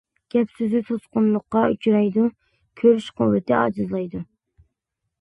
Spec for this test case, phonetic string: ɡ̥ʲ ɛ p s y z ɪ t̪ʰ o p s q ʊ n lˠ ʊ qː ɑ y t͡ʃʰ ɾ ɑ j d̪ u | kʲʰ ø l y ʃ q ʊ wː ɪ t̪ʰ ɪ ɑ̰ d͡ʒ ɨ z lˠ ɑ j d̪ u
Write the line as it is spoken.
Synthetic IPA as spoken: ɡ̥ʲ ɛ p s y z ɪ t̪ʰ o s q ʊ n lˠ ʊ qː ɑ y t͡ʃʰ ɾ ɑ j d̪ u | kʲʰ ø ɾ y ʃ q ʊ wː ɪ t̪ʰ ɪ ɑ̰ d͡ʒ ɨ z lˠ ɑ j d̪ u